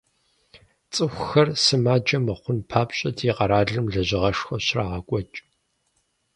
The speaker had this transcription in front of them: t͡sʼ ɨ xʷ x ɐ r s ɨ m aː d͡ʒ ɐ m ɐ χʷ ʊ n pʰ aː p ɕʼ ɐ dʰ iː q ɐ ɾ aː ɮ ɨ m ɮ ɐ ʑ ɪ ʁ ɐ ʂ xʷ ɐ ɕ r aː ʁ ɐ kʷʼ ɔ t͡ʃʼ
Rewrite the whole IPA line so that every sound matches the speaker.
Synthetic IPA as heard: t͡sʼ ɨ xʷ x ɐ r s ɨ m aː d͡ʒ ɐ m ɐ χʷ ʊ n pʰ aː p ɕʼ ɐ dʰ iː q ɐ ɾ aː ɮ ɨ m ɮ ɐ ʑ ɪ ʁ ɐ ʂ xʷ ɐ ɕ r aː ʁ ɐ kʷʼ ɔ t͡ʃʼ